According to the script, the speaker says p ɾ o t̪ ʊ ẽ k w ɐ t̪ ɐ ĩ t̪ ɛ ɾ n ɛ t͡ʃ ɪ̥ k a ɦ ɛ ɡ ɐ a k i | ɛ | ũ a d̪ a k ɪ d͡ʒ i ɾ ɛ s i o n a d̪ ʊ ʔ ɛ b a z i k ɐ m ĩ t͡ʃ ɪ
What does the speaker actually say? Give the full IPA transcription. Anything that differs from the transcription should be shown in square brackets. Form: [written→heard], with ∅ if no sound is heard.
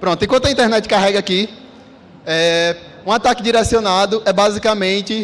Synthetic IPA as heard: p ɾ [o→õ] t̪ ʊ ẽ k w [ɐ→ɐ̃] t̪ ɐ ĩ t̪ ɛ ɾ n ɛ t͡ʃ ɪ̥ k a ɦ ɛ ɡ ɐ a k i | ɛ | ũ a [d̪→t̪] a k ɪ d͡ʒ i ɾ ɛ s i o n a d̪ ʊ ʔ ɛ b a z i k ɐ m [ĩ→ẽ] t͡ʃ ɪ

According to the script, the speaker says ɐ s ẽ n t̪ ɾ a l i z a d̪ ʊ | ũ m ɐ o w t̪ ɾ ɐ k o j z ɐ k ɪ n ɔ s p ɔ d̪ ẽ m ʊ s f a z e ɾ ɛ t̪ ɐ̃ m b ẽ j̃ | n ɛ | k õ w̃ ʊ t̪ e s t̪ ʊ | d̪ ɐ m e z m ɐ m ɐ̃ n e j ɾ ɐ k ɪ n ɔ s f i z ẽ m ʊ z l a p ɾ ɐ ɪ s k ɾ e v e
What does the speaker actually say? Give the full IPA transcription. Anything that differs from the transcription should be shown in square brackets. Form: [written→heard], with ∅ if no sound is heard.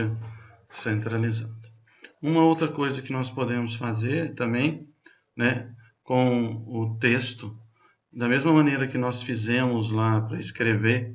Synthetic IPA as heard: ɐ s ẽ n t̪ ɾ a l i z a d̪ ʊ | ũ m ɐ o w t̪ ɾ ɐ k o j z ɐ k ɪ n ɔ s p [ɔ→o] d̪ ẽ m ʊ s f a z e ɾ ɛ t̪ ɐ̃ m b ẽ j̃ | n ɛ | k õ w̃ ʊ t̪ e s t̪ ʊ | d̪ ɐ m e z m ɐ m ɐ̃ n e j ɾ ɐ k ɪ n ɔ s f i z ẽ m ʊ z l a p ɾ ɐ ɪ s k ɾ e v e

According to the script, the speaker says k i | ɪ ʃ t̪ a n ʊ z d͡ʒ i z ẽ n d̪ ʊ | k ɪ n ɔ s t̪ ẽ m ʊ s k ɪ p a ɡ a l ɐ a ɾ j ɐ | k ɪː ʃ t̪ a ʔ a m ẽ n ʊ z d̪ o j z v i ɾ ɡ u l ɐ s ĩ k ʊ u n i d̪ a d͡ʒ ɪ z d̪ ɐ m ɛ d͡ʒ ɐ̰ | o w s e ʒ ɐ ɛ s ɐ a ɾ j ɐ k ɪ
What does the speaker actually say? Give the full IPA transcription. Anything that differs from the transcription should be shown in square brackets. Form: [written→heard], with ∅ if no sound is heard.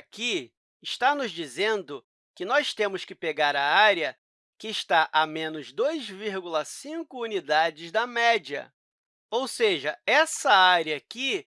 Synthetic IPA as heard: k i | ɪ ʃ t̪ a n ʊ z d͡ʒ i z ẽ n d̪ ʊ | k ɪ n ɔ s t̪ ẽ m ʊ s k ɪ p [a→e] ɡ a [l→ɾ] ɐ a ɾ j ɐ | k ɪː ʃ t̪ a ʔ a m ẽ n ʊ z d̪ o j z v i ɾ ɡ u l ɐ s ĩ k ʊ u n i d̪ a d͡ʒ ɪ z d̪ ɐ m ɛ d͡ʒ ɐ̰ | o w s e ʒ ɐ ɛ s ɐ a ɾ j ɐ k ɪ

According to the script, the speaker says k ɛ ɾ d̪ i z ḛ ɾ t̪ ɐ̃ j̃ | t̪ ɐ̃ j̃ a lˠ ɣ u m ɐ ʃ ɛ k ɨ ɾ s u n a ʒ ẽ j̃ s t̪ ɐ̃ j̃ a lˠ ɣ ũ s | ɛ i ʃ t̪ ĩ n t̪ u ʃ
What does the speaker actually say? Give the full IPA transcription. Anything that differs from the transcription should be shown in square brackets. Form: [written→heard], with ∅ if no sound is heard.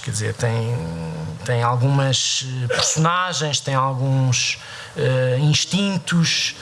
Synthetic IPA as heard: k ɛ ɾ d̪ i z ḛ ɾ t̪ ɐ̃ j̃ | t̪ ɐ̃ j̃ a lˠ ɣ u m ɐ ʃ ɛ [k→p] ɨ ɾ s u n a ʒ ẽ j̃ [s→ʃ] t̪ ɐ̃ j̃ a lˠ ɣ ũ [s→ʃ] | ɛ [i→ĩ] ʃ t̪ ĩ n t̪ u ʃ

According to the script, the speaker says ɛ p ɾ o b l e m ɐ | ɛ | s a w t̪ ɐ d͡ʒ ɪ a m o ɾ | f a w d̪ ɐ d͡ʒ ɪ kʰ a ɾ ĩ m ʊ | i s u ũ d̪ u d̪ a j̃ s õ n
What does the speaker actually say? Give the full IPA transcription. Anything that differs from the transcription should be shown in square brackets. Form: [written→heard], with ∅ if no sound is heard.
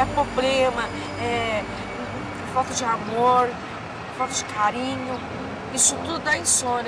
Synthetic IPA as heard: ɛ p ɾ o b l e m ɐ | ɛ | [s→f] a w t̪ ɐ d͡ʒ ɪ a m o ɾ | f a w [d̪→t̪] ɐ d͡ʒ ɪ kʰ a ɾ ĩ [m→ɲ] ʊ | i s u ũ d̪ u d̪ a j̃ s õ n

